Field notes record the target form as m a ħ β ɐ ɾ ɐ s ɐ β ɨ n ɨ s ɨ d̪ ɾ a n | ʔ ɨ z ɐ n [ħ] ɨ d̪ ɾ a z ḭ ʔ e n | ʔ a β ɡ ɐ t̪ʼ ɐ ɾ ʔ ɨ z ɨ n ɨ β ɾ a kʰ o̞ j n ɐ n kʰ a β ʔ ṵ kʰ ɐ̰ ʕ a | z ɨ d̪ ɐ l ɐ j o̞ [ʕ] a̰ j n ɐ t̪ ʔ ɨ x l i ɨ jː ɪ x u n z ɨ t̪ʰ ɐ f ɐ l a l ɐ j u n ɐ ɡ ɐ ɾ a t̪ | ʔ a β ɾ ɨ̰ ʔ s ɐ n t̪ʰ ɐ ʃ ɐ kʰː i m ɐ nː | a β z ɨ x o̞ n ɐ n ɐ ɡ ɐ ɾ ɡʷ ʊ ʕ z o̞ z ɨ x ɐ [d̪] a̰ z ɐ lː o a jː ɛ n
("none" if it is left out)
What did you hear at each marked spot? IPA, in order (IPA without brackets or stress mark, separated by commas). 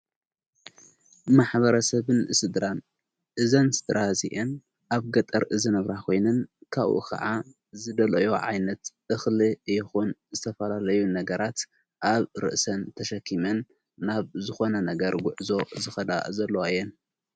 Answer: s, ʕ, d̪